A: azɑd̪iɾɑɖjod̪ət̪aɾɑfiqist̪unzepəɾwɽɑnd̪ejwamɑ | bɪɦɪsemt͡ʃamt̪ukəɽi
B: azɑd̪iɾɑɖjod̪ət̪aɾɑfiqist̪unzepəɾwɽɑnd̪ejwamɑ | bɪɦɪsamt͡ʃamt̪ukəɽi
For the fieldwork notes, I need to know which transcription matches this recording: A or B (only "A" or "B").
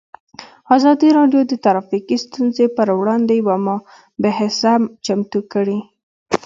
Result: B